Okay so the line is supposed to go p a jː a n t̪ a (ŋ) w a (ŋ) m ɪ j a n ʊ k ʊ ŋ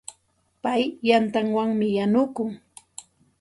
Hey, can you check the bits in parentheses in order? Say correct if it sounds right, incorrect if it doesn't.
correct, correct

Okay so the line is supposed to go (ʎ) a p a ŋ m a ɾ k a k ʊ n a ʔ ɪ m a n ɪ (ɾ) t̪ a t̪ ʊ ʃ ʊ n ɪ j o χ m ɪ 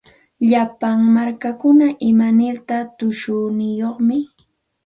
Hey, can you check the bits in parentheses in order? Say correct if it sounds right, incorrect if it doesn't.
correct, correct

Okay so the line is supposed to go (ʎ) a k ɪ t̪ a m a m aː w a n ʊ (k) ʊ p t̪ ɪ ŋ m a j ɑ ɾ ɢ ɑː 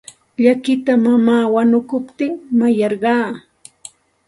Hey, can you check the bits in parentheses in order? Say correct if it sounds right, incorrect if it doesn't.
correct, correct

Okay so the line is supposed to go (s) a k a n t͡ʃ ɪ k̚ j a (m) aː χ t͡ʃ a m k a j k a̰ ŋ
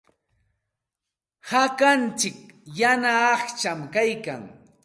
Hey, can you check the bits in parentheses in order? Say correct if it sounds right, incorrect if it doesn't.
incorrect: h, incorrect: n

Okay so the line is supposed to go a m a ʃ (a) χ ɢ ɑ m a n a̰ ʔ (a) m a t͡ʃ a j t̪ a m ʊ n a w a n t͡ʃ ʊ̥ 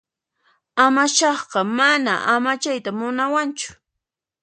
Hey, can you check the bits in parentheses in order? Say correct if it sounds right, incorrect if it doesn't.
incorrect: ɑ, correct

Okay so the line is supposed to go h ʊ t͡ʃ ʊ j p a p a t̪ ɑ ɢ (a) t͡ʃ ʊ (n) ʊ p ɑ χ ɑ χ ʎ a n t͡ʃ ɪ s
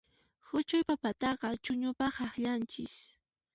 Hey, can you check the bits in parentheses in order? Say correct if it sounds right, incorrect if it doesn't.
incorrect: ɑ, incorrect: ɲ

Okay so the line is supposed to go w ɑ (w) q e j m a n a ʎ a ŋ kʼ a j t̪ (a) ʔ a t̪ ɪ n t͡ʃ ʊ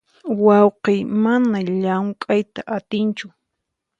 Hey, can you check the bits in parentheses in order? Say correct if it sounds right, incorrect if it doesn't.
correct, correct

